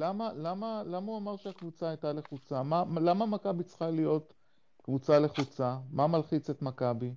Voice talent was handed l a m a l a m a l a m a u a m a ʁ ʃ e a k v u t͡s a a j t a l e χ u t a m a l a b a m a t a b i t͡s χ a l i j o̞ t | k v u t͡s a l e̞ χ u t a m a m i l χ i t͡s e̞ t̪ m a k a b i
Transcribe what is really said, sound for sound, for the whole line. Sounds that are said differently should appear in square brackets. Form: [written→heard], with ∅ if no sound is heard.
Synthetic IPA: l a m a l a m a l a m a u a m a ʁ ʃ e a k v u t͡s a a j t a l e χ u [t→t͡s] a m a l a [b→m] a m a [t→k] a b i t͡s χ a l i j o̞ t | k v u t͡s a l e̞ χ u [t→t͡s] a m a m [i→a] l χ i t͡s e̞ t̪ m a k a b i